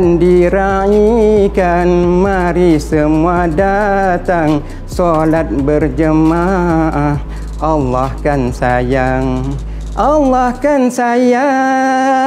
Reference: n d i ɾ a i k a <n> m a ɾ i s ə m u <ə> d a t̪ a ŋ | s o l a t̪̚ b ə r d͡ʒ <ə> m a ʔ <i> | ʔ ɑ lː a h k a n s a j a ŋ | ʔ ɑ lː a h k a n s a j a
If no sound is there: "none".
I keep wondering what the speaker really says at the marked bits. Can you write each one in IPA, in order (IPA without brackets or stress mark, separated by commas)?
n, a, ə, a